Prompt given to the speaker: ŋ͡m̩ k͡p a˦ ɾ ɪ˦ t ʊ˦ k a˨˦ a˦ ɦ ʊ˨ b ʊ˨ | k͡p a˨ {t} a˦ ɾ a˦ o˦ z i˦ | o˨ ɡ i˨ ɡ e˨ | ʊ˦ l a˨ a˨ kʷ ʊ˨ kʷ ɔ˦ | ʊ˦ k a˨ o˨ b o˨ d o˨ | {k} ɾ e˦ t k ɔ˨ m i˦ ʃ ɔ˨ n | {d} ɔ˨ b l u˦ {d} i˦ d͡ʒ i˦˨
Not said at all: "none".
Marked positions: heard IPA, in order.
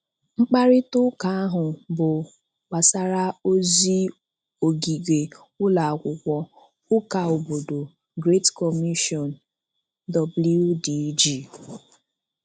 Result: s, ɡ, d, d

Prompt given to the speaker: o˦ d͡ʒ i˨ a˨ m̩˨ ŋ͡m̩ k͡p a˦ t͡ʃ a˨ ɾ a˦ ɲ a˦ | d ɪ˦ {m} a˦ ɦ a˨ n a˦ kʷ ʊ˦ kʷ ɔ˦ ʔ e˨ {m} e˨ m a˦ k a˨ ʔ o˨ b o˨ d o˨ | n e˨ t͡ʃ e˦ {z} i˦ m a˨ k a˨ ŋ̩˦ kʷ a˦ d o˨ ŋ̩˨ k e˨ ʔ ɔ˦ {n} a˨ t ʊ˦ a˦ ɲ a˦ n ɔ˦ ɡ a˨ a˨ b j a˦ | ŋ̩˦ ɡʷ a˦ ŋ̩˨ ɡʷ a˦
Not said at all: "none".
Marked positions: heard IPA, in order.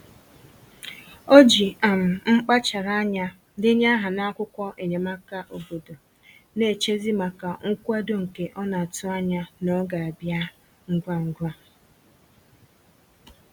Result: ɲ, ɲ, z, n

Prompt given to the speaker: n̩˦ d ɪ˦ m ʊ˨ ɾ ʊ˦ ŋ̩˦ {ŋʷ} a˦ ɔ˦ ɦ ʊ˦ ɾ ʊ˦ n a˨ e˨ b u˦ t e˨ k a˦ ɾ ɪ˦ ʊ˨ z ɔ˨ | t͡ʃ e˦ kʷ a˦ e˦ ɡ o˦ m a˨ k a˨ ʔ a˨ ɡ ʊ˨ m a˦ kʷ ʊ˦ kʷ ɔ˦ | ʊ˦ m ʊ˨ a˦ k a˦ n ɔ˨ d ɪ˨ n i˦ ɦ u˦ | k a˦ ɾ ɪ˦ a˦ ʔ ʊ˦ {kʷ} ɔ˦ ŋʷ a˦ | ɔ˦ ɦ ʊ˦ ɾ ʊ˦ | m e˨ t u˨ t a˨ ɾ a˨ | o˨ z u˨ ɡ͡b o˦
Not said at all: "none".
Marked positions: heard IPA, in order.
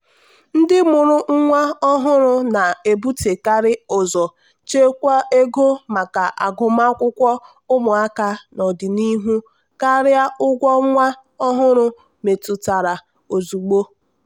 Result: ŋʷ, ɡʷ

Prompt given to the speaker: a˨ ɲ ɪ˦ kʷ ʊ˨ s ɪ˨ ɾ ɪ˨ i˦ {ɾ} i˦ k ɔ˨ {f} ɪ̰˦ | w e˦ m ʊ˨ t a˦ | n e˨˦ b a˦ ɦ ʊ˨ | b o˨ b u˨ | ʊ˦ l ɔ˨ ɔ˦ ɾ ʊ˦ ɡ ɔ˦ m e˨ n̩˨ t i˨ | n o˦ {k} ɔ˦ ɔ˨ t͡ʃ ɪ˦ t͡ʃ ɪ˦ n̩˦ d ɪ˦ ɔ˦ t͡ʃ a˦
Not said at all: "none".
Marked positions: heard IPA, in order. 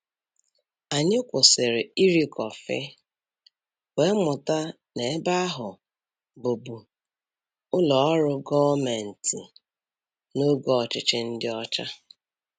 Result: ɾ, f, ɡ

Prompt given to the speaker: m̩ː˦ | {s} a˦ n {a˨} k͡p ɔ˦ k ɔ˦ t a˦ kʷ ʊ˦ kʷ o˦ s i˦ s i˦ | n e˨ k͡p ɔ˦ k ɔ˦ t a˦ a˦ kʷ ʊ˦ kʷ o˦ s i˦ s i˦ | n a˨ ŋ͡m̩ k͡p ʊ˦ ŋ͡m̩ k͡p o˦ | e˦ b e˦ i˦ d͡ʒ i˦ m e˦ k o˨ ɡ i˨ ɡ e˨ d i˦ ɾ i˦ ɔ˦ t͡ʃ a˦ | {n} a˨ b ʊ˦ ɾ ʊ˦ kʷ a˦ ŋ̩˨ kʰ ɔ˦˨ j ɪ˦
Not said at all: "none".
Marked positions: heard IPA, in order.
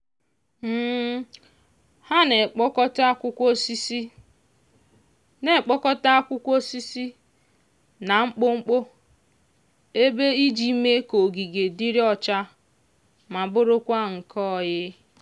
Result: h, e˨, m

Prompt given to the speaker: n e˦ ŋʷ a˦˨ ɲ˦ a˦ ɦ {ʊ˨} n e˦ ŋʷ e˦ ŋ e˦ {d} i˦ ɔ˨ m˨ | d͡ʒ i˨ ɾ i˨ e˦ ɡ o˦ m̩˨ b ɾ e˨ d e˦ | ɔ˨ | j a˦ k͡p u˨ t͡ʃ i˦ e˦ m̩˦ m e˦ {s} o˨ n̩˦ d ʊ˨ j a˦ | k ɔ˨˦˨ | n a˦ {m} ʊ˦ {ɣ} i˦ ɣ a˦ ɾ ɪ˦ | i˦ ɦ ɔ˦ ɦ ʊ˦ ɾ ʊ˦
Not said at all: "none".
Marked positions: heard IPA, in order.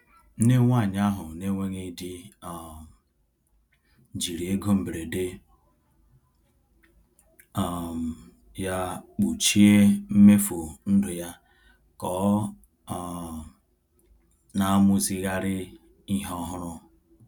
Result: ʊ˨, d, f, m, z

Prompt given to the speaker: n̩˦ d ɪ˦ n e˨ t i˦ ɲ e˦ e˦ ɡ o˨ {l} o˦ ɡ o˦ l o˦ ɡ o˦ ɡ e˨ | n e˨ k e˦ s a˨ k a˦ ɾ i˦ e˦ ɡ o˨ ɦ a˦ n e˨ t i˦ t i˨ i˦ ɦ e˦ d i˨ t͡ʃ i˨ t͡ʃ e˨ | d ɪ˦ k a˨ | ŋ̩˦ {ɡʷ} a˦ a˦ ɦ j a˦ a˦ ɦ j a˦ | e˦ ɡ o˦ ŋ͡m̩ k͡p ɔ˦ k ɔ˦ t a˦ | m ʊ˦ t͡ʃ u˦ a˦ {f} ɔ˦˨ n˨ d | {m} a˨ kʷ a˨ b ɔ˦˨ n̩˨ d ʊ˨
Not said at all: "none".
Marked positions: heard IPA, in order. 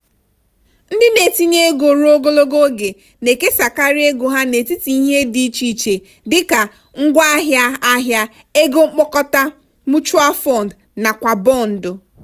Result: ɾ, ɡʷ, f, n

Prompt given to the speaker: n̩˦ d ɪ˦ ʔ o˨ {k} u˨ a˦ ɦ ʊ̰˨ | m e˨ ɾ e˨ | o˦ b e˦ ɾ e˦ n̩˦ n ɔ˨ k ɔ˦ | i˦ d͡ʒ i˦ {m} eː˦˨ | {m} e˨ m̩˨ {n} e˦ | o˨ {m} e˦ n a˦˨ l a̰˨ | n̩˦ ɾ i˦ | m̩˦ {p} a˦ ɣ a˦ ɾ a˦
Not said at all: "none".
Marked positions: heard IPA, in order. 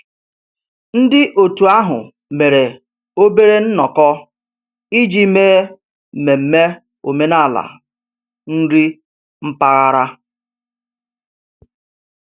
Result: t, m, m, m, m, p

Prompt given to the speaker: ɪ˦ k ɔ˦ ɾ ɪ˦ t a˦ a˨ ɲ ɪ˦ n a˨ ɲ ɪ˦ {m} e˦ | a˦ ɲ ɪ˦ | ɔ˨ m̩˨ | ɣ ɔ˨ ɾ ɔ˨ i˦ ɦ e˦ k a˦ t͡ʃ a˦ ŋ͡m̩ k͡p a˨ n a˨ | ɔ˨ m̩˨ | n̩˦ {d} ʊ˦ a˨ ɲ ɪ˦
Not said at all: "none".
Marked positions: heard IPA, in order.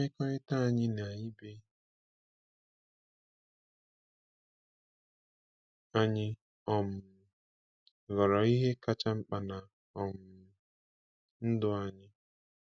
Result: b, d

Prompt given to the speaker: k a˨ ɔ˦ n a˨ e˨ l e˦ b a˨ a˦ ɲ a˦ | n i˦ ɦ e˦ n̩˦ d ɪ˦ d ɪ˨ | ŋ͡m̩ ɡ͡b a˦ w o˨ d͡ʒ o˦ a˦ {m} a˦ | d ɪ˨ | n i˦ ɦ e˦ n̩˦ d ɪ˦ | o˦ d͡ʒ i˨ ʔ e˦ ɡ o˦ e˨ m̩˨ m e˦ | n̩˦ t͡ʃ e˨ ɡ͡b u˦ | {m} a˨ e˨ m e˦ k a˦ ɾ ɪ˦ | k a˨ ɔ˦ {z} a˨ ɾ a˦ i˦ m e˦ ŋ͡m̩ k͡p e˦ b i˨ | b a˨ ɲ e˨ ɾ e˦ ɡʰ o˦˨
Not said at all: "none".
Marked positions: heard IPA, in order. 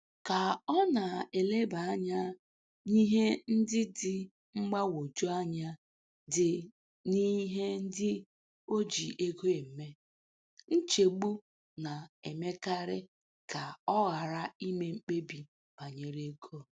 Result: ɲ, n, ɣ

